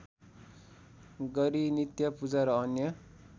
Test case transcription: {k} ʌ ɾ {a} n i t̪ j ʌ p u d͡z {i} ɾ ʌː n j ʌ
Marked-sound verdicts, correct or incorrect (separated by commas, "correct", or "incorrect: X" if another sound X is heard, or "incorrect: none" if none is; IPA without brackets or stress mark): incorrect: ɡ, incorrect: i, incorrect: a